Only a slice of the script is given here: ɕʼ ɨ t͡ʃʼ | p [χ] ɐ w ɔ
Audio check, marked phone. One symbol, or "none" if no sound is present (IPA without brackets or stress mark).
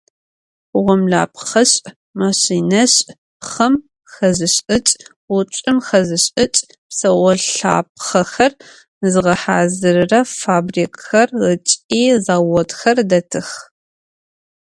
s